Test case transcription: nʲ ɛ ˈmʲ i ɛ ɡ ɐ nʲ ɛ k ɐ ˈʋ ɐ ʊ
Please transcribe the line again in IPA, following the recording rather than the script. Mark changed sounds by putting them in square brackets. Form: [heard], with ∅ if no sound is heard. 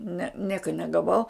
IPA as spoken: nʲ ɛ [ˈnʲ] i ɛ [k] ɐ nʲ ɛ [ɡ] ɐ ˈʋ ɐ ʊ